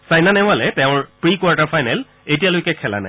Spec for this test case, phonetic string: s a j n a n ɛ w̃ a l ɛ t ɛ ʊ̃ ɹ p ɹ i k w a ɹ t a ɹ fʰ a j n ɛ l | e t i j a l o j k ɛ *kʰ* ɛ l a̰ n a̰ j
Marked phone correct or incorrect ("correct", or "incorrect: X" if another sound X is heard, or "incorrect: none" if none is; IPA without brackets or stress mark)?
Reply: correct